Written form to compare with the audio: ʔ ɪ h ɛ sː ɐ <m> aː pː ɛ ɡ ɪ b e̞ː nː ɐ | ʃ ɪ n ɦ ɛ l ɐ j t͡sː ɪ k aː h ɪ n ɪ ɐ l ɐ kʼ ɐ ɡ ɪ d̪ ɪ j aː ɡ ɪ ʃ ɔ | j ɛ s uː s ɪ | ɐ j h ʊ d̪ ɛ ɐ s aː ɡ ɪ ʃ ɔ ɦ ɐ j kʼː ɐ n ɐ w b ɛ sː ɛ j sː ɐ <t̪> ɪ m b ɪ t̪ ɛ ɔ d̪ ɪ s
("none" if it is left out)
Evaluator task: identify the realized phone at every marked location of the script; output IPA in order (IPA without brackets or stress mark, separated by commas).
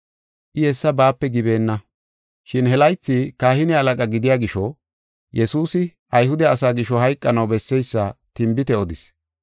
b, t̪